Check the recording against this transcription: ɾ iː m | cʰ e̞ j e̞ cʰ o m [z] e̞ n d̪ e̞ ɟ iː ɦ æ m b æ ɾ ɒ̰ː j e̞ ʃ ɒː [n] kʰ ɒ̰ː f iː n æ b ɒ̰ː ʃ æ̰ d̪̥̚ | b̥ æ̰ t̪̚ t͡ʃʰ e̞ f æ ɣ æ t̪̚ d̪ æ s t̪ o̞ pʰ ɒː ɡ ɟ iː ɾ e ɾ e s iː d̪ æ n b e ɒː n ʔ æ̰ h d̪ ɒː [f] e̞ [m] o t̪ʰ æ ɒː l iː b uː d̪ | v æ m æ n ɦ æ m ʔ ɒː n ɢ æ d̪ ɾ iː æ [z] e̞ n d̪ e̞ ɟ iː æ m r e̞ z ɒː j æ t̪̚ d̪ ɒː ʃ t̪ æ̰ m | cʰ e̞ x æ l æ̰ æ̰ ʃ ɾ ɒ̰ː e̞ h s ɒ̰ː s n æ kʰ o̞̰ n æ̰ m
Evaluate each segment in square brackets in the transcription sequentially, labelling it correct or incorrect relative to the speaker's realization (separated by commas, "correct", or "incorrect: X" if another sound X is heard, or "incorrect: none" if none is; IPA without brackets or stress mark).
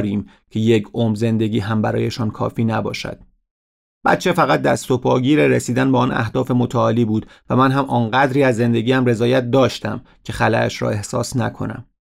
correct, correct, correct, correct, incorrect: zː